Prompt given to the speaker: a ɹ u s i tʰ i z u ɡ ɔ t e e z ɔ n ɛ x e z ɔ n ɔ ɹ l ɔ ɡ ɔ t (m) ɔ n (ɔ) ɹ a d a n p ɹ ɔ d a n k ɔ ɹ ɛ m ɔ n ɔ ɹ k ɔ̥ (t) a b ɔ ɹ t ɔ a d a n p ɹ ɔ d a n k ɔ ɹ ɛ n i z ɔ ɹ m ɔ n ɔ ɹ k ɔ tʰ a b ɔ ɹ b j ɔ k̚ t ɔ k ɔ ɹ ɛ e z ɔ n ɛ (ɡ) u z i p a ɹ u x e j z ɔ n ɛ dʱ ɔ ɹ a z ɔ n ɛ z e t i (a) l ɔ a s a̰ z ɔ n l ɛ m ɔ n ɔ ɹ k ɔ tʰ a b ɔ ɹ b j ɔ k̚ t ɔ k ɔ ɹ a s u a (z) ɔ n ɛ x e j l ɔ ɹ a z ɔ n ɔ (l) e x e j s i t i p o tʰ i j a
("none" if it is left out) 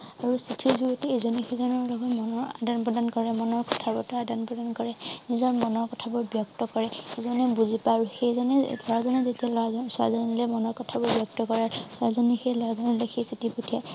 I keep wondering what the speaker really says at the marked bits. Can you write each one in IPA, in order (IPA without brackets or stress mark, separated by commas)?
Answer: m, ɔ, tʰ, b, a, z, l